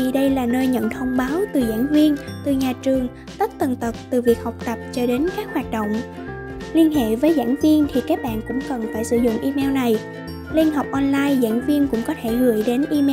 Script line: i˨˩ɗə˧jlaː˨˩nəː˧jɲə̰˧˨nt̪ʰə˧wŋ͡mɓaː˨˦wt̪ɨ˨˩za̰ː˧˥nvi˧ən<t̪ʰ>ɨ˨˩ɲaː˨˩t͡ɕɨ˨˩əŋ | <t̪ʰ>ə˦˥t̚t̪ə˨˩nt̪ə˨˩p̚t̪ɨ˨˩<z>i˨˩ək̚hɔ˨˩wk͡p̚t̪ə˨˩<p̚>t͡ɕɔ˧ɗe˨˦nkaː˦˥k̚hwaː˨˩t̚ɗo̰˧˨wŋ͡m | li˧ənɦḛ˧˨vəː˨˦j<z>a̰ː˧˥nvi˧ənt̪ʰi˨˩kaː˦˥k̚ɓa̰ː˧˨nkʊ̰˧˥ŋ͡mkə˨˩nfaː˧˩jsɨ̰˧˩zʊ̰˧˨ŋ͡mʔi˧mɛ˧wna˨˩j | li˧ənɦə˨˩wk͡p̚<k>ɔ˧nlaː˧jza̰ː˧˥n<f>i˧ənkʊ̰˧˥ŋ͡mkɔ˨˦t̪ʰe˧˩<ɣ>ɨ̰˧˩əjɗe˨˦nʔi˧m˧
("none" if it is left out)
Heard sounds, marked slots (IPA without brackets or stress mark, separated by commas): t̪, t̪, v, p̚, z, ʔ, v, ɣ